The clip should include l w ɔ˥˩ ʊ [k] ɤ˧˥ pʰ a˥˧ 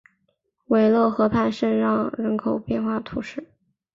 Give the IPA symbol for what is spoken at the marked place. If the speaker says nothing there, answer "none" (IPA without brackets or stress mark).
x